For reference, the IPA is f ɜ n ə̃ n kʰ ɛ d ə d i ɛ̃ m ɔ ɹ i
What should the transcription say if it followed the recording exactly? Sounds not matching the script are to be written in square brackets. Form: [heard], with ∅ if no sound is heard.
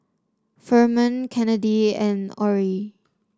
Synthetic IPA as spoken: f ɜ [m] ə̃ n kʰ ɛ [n] ə d i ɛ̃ [n] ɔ ɹ i